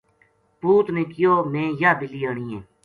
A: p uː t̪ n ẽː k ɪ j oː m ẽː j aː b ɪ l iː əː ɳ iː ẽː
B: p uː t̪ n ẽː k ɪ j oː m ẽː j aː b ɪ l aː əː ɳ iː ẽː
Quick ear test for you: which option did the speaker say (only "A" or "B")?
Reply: A